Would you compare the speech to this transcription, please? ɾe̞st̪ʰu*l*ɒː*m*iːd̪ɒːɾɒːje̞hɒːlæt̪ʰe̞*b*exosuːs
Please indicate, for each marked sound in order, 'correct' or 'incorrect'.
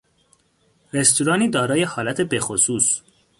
incorrect, incorrect, correct

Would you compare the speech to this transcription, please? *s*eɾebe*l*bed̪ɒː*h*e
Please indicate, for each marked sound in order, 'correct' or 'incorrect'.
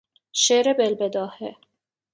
incorrect, correct, correct

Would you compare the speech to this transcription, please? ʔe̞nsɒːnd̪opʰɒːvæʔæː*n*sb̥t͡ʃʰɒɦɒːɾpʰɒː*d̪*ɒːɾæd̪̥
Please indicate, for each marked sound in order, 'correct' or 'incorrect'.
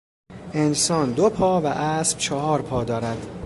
incorrect, correct

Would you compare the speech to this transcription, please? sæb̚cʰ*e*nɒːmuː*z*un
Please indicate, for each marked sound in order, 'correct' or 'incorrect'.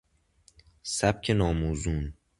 correct, correct

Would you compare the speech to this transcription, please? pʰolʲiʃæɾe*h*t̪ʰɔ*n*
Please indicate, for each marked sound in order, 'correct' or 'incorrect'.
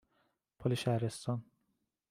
incorrect, correct

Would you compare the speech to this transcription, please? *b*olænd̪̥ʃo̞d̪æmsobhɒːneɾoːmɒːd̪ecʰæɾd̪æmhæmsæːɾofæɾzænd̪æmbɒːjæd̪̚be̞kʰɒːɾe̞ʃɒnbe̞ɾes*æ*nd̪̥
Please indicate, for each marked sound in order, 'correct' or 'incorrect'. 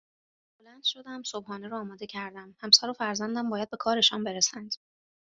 correct, correct

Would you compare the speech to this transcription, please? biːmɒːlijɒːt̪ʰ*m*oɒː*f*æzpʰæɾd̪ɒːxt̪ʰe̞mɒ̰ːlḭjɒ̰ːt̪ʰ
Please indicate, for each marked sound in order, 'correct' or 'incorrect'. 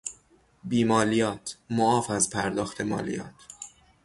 correct, correct

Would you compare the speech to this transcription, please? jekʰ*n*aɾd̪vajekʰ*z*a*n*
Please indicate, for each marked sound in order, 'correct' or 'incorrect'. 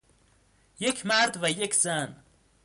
incorrect, correct, correct

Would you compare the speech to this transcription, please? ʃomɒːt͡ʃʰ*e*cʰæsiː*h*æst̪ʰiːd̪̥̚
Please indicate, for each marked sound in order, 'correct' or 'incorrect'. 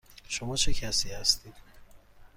correct, correct

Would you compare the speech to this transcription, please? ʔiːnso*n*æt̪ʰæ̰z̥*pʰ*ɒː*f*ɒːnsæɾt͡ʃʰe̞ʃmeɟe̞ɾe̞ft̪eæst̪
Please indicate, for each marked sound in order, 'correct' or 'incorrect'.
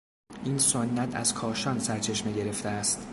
incorrect, incorrect, incorrect

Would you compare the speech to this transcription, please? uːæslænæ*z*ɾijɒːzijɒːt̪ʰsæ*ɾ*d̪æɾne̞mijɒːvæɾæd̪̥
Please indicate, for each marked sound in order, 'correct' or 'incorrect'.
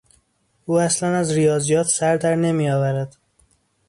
correct, correct

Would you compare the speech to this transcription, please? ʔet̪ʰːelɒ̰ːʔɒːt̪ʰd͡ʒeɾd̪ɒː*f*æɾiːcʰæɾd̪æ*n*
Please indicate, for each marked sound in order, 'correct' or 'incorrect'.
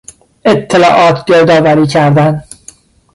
incorrect, correct

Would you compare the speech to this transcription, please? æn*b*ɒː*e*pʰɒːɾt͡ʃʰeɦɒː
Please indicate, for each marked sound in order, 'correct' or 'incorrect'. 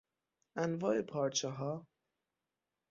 incorrect, correct

